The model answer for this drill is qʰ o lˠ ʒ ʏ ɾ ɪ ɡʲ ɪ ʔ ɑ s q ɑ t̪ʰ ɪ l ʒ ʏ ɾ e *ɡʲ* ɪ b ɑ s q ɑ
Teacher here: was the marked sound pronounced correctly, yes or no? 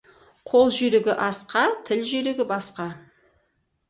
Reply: yes